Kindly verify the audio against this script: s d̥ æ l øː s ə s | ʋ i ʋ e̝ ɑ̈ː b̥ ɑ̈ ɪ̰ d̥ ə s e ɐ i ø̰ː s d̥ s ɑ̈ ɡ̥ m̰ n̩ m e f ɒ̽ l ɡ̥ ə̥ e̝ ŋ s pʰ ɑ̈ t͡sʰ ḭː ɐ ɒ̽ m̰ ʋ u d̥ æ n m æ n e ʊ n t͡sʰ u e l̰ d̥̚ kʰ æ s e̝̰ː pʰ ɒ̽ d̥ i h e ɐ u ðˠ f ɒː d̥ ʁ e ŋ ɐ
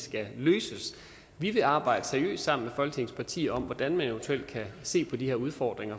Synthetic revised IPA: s ɡ̥ æ l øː s ə s | ʋ i ʋ e̝ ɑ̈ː b̥ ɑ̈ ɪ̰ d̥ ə s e ɐ i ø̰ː s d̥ s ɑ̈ m̰ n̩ m e f ɒ̽ l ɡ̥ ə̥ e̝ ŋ s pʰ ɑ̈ t͡sʰ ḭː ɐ ɒ̽ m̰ ʋ ɒ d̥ æ n m æ n e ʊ n t͡sʰ u e l̰ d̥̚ kʰ æ s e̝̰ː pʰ ɒ̽ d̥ i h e ɐ u ðˠ f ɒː d̥ ʁ e ŋ ɐ